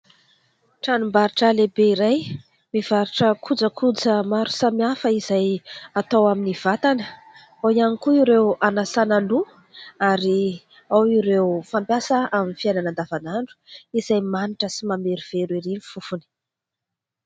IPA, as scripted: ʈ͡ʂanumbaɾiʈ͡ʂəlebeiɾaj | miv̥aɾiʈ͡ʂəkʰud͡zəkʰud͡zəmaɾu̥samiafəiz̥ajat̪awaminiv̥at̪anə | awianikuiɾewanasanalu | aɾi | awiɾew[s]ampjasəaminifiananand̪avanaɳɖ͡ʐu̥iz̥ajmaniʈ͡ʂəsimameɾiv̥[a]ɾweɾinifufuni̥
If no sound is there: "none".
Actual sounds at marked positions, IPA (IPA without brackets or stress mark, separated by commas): f, e